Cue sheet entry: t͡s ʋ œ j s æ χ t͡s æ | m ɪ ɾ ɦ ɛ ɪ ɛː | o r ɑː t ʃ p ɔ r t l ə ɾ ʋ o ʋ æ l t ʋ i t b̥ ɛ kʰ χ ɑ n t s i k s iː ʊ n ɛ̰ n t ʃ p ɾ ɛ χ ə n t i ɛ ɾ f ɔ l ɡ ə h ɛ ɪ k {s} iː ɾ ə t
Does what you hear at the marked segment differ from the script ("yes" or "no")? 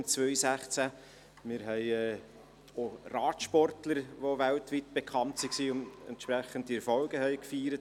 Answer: yes